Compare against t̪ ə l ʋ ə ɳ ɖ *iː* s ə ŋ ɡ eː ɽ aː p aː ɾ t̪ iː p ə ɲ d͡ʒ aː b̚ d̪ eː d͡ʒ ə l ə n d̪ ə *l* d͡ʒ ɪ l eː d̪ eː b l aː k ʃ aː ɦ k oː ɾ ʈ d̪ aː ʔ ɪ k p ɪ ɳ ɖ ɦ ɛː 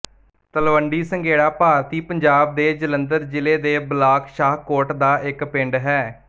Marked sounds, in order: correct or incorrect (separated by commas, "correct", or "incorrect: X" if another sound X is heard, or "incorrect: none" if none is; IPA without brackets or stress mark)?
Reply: correct, incorrect: ɾ